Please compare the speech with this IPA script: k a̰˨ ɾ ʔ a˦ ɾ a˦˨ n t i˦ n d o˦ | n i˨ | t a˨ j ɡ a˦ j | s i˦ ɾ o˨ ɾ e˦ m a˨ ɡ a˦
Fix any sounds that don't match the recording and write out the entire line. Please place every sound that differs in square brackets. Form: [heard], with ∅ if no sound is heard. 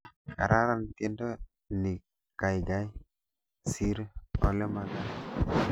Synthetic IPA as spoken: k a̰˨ ɾ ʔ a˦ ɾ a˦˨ n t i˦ n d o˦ | n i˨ | [k] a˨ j ɡ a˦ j | s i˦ ɾ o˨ [l] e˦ m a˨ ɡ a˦